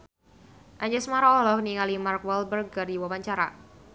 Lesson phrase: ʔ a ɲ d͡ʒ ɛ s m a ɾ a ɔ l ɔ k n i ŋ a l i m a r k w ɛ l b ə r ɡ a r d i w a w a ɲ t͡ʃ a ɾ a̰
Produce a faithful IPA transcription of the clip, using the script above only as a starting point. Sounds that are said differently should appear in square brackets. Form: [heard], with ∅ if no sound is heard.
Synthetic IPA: ʔ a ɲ d͡ʒ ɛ s m a ɾ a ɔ l ɔ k n i ŋ a l i m a r k w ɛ l b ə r ɡ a r d i w a w a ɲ t͡ʃ a ɾ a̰

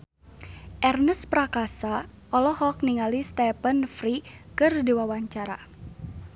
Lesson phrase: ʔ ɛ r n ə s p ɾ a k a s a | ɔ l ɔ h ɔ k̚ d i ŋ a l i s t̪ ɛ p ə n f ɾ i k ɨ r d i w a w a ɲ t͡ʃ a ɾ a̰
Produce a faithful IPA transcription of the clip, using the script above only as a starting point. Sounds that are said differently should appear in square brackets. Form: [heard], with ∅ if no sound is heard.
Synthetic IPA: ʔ ɛ r n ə s p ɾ a k a s a | ɔ l ɔ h ɔ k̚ [n] i ŋ a l i s t̪ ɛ p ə n f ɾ i k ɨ r d i w a w a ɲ t͡ʃ a ɾ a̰

